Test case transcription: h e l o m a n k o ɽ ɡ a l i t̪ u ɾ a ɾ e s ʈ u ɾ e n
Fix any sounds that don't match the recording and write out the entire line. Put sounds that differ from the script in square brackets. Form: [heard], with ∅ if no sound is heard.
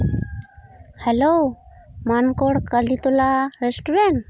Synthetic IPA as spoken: h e l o m a n k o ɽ [k] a l i t̪ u [l] a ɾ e s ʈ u ɾ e n